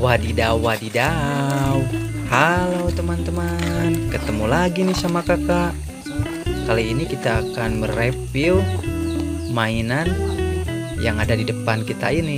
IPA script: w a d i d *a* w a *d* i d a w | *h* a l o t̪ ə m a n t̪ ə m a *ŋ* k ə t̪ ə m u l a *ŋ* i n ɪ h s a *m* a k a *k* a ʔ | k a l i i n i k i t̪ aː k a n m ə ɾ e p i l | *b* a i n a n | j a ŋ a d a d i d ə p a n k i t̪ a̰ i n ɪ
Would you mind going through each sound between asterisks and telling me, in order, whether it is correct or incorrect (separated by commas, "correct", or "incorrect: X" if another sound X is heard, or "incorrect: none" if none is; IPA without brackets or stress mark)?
correct, correct, correct, incorrect: n, incorrect: ɡ, correct, correct, incorrect: m